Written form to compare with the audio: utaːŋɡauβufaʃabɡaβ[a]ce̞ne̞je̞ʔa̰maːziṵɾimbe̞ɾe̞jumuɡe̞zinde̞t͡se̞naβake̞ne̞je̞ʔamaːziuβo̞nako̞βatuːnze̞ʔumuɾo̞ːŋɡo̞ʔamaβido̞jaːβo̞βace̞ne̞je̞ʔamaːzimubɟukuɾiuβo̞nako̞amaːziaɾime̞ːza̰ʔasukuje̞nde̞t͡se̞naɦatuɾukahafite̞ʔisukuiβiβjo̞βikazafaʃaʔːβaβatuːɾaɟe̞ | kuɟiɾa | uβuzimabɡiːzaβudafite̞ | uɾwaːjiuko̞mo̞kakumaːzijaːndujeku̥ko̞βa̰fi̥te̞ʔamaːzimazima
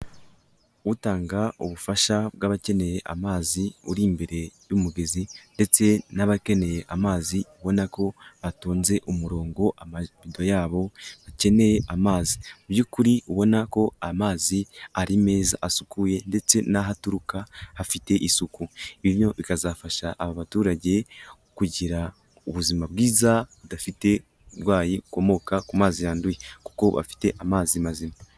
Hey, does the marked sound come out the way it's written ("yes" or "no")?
yes